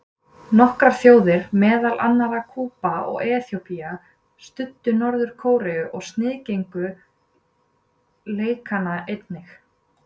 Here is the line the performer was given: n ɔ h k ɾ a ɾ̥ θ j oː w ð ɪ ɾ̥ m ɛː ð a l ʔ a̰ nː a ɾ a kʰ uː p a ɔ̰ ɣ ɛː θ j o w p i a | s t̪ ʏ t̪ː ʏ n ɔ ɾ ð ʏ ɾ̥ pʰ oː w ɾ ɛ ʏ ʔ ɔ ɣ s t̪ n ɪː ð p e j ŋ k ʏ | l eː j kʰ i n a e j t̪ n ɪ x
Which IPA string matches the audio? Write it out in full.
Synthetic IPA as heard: n ɔ h k ɾ a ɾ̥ θ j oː w ð ɪ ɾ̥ m ɛː ð a l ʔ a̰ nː a ɾ a kʰ uː p a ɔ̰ ɣ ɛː θ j o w p i a | s t̪ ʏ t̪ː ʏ n ɔ ɾ ð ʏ ɾ̥ kʰ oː w ɾ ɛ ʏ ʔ ɔ ɣ s t̪ n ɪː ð c e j ŋ k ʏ | l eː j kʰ a n a e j t̪ n ɪ x